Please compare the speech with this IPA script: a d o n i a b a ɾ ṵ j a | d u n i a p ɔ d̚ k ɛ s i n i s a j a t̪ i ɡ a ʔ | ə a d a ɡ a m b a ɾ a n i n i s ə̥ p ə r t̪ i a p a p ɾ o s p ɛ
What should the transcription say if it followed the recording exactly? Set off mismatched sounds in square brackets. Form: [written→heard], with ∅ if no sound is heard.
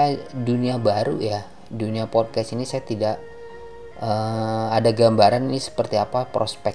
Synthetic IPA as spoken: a d [o→u] n i a b a ɾ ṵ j a | d u n i a p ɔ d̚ k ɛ s i n i s a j a t̪ i [ɡ→d] a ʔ | ə a d a ɡ a m b a ɾ a n i n i s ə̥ p ə r t̪ i a p a p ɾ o s p ɛ